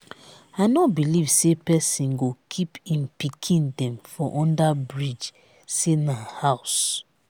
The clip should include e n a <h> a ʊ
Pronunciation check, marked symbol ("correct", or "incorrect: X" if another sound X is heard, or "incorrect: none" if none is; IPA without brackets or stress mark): correct